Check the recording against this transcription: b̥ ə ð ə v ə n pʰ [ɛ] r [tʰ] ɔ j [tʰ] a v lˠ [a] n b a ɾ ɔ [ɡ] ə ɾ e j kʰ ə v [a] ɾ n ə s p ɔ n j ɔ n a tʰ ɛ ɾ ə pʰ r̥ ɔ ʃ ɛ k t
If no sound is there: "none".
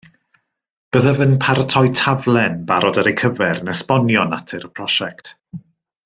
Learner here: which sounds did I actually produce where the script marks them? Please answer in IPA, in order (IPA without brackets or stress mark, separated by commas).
a, tʰ, tʰ, ɛ, d, ɛ